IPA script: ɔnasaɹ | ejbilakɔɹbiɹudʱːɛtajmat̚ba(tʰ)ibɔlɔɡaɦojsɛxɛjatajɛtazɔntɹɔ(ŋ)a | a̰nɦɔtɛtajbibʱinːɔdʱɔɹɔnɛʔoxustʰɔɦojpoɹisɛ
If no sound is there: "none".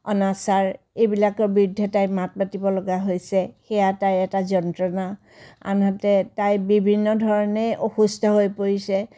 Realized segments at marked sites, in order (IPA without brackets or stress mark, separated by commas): t, n